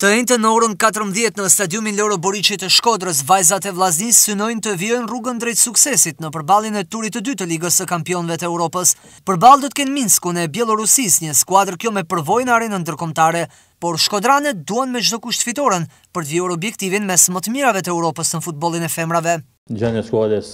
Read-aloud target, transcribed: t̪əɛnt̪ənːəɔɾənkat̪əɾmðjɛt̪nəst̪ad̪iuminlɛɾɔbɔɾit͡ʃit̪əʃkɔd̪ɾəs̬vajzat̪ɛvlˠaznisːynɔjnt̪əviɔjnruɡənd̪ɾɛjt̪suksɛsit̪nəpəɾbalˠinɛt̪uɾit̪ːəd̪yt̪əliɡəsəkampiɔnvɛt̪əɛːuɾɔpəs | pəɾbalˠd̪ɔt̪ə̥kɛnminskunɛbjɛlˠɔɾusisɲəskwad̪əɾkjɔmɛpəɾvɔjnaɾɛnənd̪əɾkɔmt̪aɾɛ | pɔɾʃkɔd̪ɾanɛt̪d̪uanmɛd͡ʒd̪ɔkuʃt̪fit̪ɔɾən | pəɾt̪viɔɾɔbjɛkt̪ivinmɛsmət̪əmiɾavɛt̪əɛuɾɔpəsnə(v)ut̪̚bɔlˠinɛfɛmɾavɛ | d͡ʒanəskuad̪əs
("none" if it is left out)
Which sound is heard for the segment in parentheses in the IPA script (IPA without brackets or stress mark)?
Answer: f